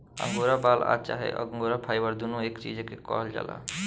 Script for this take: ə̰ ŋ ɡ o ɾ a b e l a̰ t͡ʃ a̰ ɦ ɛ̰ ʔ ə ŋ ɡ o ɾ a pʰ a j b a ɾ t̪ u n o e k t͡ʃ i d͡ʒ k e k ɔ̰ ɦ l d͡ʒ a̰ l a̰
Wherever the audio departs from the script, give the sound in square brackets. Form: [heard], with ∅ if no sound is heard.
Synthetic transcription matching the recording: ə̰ ŋ ɡ o ɾ a b [a] l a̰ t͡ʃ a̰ ɦ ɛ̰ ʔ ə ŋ ɡ o ɾ a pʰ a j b [ə] ɾ [d̪] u n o e k t͡ʃ i d͡ʒ k e k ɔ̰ ɦ l d͡ʒ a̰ l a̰